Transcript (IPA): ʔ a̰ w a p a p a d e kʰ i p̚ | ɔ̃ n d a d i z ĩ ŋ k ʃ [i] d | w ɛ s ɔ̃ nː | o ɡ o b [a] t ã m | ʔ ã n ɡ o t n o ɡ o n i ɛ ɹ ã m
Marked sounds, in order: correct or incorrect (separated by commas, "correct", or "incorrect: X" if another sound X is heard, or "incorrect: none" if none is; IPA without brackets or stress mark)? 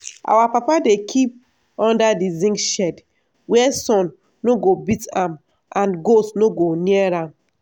incorrect: ɛ, incorrect: i